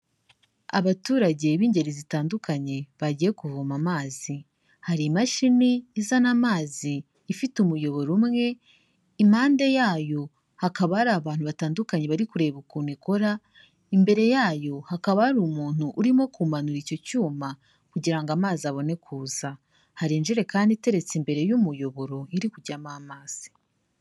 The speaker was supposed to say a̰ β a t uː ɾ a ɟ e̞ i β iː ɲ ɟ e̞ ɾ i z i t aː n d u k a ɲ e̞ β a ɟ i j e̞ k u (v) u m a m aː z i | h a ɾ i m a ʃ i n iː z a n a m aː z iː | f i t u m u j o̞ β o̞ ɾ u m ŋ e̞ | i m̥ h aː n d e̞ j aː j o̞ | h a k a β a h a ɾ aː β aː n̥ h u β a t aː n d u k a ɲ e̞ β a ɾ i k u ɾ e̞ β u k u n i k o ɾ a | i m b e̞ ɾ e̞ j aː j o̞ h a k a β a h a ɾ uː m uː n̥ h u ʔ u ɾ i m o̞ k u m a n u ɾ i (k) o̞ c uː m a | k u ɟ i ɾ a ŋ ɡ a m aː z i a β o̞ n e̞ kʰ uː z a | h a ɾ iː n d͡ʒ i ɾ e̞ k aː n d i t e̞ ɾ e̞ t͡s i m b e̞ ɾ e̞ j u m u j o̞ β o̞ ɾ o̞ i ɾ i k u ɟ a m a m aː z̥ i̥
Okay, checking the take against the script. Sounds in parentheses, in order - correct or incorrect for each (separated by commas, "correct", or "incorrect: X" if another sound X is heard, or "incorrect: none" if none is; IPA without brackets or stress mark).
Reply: correct, incorrect: c